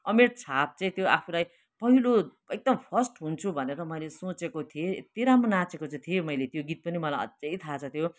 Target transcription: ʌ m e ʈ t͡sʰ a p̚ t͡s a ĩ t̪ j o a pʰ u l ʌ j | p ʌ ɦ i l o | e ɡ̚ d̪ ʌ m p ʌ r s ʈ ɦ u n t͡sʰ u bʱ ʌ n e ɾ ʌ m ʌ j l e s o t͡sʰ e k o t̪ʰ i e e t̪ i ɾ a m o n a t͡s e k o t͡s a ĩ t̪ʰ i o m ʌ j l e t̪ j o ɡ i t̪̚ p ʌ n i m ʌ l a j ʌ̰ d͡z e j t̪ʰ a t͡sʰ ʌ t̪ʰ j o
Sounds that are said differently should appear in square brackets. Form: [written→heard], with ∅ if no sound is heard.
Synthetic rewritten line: ʌ m e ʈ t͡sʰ a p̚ t͡s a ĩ t̪ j o a pʰ u l [ʌ→a] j | p ʌ ɦ i l o | e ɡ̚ d̪ ʌ m [p→pʰ] ʌ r s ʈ ɦ u n t͡sʰ u bʱ ʌ n e ɾ ʌ m ʌ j l e s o [t͡sʰ→t͡s] e k o t̪ʰ i e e t̪ i ɾ a m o n a t͡s e k o t͡s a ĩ t̪ʰ i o m ʌ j l e t̪ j o ɡ i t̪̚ p ʌ n i m ʌ l a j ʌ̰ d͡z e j t̪ʰ a t͡sʰ ʌ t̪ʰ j o